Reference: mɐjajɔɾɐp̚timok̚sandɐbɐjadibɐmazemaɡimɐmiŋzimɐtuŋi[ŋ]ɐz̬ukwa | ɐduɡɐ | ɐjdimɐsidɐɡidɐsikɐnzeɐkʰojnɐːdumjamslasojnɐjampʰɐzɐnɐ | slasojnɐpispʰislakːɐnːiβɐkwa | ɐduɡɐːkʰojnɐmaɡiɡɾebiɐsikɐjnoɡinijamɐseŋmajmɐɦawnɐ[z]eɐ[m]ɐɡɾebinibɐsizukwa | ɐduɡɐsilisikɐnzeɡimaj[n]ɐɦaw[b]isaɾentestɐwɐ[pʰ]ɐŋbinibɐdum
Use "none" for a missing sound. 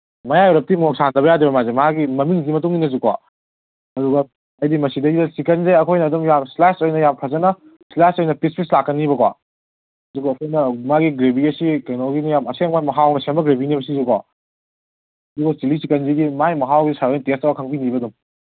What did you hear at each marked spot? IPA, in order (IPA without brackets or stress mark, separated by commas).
n, s, m, m, ɡ, kʰ